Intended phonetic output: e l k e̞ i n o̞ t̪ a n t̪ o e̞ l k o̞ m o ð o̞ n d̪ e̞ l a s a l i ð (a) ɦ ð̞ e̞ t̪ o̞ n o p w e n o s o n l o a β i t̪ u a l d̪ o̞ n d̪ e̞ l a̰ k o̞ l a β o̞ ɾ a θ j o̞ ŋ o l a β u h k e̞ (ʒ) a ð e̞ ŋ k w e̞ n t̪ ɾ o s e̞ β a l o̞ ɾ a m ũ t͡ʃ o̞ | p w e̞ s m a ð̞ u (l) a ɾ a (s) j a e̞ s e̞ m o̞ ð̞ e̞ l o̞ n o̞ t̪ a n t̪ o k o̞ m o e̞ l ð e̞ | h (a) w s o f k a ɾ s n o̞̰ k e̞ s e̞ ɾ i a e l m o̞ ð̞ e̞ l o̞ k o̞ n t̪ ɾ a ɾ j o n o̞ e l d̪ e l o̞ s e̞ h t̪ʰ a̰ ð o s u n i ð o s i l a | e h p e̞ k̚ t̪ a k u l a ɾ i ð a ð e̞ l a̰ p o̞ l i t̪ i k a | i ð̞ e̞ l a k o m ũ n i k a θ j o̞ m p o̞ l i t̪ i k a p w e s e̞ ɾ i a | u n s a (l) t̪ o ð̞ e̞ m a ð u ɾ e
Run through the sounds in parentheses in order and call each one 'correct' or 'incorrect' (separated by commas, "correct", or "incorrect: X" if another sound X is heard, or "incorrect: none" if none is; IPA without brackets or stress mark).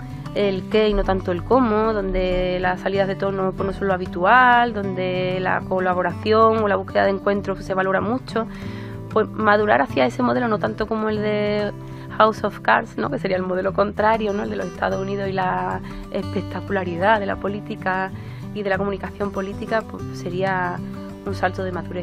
correct, incorrect: ð, incorrect: ɾ, incorrect: θ, correct, correct